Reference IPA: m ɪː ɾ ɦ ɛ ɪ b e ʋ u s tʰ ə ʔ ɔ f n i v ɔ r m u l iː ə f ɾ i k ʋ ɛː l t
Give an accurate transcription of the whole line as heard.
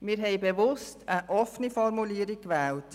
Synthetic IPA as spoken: m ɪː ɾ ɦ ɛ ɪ b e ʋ ʊ s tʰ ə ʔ ɔ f n i f ɔ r m u l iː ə ɾ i k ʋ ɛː l t